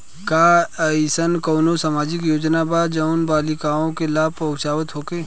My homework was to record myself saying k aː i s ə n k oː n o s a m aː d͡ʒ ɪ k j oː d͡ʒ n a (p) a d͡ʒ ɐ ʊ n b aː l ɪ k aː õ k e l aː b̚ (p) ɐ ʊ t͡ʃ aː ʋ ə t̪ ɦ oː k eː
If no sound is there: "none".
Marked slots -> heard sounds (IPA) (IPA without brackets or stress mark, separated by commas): b, p